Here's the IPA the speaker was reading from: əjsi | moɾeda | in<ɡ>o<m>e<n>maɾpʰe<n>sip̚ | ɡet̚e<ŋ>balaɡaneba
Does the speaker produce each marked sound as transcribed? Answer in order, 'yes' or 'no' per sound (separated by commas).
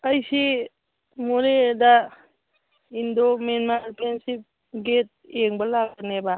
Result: no, yes, yes, yes, yes